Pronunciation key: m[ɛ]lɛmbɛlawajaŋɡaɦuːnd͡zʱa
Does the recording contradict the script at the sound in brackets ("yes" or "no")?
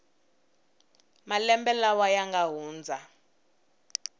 yes